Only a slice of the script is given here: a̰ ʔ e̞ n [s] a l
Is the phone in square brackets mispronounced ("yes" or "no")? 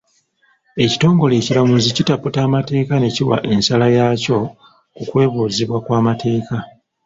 no